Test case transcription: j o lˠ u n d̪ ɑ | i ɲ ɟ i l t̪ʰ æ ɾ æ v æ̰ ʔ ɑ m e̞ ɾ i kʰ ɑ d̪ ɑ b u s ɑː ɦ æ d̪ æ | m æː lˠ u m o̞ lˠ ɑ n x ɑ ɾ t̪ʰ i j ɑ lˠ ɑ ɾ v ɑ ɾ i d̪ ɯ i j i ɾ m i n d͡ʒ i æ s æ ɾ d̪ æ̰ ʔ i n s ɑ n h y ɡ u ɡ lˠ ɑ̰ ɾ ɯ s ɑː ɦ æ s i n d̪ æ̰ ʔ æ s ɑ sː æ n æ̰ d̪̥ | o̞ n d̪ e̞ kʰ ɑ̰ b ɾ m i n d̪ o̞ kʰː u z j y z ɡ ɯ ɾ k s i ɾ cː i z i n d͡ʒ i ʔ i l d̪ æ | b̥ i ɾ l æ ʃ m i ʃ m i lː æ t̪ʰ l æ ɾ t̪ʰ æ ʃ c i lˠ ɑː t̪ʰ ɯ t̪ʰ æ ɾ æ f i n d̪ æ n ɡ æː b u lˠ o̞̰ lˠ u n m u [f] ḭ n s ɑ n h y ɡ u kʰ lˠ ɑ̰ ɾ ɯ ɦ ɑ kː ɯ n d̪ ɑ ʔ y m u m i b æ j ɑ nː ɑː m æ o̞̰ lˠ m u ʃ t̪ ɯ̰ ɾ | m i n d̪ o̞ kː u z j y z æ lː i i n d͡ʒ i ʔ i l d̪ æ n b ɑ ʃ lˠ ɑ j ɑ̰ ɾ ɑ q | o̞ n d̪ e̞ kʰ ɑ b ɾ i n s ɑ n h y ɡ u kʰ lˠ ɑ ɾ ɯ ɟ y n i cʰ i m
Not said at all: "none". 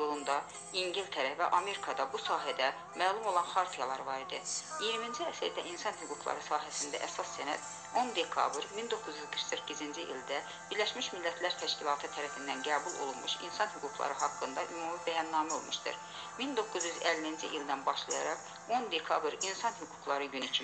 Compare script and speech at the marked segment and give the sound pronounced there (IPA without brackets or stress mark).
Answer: ʃ